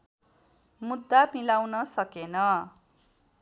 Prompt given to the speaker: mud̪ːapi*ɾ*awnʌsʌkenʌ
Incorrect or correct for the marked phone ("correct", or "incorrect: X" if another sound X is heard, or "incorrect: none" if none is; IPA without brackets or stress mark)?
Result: incorrect: l